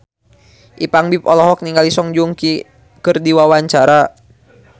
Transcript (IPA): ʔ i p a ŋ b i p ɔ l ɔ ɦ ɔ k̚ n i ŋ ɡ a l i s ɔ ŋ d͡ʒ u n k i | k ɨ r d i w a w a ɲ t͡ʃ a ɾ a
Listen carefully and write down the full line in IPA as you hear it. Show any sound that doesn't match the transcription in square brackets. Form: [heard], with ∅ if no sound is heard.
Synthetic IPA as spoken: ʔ i p a ŋ b i p ɔ l ɔ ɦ ɔ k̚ n i ŋ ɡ a l i s ɔ ŋ d͡ʒ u [ŋ] k i | k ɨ r d i w a w a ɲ t͡ʃ a ɾ a